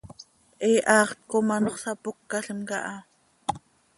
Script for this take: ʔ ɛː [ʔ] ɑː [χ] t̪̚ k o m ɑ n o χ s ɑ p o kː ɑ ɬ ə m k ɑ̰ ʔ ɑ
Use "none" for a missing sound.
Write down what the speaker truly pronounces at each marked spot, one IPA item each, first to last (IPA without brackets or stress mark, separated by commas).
ʔ, χ